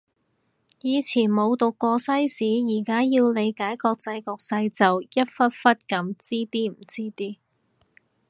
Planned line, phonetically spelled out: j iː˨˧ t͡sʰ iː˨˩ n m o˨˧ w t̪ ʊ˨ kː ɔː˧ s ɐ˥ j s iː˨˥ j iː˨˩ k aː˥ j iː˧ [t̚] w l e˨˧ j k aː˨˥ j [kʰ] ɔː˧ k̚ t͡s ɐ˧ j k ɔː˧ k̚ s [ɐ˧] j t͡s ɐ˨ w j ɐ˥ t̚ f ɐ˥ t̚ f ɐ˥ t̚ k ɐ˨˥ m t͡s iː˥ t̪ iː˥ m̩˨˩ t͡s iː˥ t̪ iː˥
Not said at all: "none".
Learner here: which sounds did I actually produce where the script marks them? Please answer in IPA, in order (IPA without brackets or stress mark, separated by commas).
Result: none, k, ɐ˧